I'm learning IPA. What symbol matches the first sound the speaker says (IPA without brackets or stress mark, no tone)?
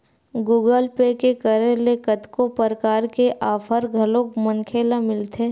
ɡ